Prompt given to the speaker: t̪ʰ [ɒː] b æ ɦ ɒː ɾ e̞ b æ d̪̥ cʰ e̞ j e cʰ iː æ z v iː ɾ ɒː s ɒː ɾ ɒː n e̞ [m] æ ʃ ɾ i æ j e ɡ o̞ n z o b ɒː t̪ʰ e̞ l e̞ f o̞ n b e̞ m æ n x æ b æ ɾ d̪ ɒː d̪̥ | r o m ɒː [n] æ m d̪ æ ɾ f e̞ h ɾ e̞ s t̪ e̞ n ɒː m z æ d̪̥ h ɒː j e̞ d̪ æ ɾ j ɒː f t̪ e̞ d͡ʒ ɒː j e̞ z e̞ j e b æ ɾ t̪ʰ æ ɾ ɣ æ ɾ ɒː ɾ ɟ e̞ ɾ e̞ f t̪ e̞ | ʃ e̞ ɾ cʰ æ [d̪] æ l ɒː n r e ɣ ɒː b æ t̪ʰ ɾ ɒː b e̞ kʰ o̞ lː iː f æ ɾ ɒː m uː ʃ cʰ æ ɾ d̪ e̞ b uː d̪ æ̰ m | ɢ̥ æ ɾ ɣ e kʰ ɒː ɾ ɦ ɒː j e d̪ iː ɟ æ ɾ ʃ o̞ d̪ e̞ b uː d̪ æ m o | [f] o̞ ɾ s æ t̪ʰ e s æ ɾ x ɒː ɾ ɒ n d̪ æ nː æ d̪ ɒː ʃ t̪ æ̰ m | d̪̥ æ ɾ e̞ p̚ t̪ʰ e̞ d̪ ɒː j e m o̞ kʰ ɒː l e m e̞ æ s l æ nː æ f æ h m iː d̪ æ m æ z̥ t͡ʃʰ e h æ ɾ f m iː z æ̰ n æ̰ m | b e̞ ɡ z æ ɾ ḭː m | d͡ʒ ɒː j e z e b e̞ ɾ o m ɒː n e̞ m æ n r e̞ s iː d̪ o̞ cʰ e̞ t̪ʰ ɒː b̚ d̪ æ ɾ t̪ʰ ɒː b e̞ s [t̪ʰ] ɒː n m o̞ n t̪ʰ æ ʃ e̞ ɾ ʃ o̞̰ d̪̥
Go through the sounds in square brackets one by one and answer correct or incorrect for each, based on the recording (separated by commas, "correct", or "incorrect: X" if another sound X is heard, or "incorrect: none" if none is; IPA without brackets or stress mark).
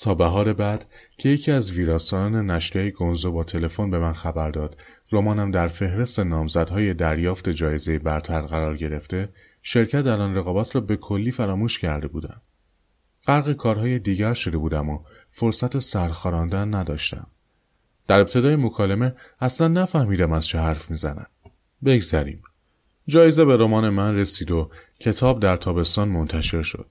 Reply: correct, incorrect: n, correct, incorrect: t̪, correct, incorrect: t̪